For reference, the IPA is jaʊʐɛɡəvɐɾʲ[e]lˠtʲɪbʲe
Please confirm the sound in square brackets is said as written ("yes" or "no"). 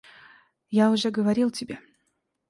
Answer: no